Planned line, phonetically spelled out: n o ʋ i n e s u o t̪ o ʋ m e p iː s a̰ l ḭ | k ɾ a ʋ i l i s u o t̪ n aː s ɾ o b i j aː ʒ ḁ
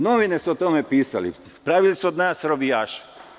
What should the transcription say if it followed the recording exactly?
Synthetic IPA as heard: n o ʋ i n e s u o t̪ o m e p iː s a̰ l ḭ | p ɾ a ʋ i l i s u o d̪ n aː s ɾ o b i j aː ʃ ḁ